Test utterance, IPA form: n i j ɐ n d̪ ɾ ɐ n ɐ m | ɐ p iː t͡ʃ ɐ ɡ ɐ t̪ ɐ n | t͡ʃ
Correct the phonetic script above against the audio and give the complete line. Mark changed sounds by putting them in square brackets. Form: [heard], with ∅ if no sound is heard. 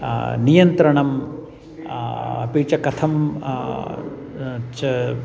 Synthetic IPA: n i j ɐ n [t̪] ɾ ɐ [ɳ] ɐ m | ɐ p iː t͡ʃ ɐ [k] ɐ [t̪ʰ] ɐ [m] | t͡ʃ